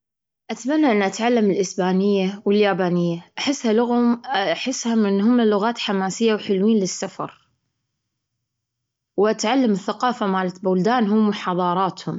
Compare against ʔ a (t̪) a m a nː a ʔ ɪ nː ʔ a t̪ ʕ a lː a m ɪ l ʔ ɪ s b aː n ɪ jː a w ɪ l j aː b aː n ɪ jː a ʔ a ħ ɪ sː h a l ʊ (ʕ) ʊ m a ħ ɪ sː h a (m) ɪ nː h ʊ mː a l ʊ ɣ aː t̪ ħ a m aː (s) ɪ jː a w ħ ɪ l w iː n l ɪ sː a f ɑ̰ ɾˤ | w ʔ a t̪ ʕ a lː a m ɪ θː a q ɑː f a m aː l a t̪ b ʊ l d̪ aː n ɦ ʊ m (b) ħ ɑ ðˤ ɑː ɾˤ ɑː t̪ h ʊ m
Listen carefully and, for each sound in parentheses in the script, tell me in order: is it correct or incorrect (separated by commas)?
correct, incorrect, correct, correct, incorrect